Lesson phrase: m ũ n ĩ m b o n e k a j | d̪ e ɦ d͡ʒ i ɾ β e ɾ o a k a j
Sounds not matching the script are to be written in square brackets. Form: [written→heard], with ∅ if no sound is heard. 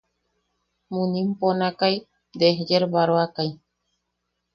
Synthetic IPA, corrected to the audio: m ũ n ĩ m [b→p] o n [e→a] k a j | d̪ e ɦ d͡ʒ [i→e] ɾ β [e→a] ɾ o a k a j